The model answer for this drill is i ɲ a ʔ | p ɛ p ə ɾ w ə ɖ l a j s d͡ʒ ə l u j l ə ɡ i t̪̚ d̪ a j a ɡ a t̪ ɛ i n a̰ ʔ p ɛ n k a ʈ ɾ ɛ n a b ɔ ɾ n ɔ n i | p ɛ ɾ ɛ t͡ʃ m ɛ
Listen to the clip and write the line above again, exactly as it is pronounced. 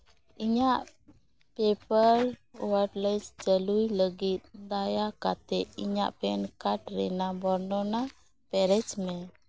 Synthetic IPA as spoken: i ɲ a ʔ | p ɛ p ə ɾ w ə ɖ l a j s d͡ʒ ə l u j l ə ɡ i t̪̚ d̪ a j a k a t̪ ɛ i ɲ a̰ ʔ p ɛ n k a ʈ ɾ ɛ n a b ɔ ɾ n ɔ n a | p ɛ ɾ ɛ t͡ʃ m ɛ